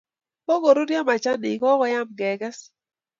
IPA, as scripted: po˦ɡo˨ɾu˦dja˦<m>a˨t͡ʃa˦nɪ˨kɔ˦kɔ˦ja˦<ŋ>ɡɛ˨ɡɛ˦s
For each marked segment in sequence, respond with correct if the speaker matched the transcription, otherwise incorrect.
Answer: correct, incorrect

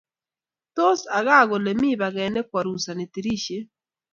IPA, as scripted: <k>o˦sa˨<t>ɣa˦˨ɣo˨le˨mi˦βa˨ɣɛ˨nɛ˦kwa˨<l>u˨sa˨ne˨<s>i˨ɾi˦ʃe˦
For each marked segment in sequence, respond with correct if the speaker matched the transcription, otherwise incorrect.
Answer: incorrect, incorrect, incorrect, incorrect

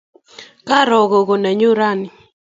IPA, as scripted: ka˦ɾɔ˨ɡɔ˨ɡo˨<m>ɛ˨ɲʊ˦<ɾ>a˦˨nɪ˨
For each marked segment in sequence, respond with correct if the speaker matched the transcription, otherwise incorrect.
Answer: incorrect, correct

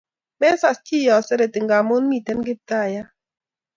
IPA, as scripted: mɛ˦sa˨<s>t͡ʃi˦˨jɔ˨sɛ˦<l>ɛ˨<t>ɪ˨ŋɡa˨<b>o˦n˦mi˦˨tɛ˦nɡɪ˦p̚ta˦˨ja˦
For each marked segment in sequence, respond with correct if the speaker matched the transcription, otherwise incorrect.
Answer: correct, incorrect, correct, incorrect

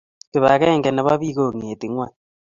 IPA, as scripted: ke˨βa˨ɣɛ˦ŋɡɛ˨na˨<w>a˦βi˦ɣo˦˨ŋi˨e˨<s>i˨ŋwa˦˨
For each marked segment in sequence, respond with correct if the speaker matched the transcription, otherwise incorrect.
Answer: incorrect, incorrect

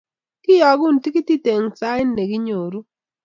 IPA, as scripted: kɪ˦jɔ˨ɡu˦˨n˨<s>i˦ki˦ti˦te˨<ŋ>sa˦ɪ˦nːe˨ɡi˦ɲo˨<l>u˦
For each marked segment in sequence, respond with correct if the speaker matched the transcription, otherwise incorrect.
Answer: incorrect, correct, incorrect

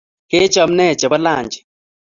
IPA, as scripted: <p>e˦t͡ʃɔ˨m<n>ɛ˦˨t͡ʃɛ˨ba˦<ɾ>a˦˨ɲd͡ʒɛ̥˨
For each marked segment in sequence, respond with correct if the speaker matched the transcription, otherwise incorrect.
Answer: incorrect, correct, incorrect

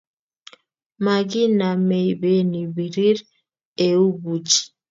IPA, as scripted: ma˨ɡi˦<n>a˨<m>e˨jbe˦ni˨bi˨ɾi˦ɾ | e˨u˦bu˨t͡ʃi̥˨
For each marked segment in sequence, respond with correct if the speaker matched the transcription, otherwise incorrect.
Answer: correct, correct

